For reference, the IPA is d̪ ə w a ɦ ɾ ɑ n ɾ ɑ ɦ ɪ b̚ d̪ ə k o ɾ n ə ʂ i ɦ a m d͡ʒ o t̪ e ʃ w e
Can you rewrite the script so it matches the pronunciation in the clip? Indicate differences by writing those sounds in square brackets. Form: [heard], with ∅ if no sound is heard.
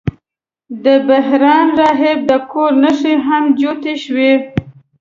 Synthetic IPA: d̪ ə [b] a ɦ ɾ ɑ n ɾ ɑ ɦ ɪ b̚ d̪ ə k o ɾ n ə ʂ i ɦ a m d͡ʒ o t̪ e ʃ w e